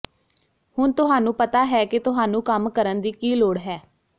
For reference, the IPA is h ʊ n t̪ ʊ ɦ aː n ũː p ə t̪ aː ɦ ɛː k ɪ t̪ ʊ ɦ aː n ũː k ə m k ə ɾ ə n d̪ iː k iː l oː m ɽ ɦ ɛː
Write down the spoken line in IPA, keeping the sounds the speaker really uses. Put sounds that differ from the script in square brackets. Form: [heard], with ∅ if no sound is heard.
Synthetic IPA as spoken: h ʊ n t̪ ʊ ɦ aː n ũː p ə t̪ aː ɦ ɛː k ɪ t̪ ʊ ɦ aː n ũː k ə m k ə ɾ ə n d̪ iː k iː l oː [∅] ɽ ɦ ɛː